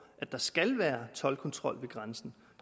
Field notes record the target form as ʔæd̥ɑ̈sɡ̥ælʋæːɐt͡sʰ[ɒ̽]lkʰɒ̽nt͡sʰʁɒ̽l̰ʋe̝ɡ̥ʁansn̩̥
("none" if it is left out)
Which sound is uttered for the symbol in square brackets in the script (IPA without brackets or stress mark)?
ɒ̽